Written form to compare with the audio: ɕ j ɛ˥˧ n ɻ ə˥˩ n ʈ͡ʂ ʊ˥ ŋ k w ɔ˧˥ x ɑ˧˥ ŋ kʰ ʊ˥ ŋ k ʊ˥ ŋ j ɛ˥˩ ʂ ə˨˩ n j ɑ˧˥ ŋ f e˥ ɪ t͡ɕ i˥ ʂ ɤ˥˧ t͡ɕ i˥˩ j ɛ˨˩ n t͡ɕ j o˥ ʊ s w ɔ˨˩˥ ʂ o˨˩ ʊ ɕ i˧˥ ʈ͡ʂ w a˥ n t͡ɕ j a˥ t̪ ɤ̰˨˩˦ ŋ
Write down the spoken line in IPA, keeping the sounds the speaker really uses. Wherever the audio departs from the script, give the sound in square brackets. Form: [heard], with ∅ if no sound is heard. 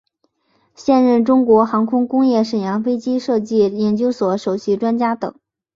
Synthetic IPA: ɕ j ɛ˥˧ n ɻ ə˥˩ n ʈ͡ʂ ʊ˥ ŋ k w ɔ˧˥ x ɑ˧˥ ŋ kʰ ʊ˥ ŋ k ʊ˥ ŋ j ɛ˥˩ ʂ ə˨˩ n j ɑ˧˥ ŋ f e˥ ɪ t͡ɕ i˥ ʂ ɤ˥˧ t͡ɕ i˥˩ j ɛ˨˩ n t͡ɕ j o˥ ʊ s w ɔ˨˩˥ ʂ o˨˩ ʊ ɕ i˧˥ ʈ͡ʂ w a˥ n t͡ɕ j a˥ t̪ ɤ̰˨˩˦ ŋ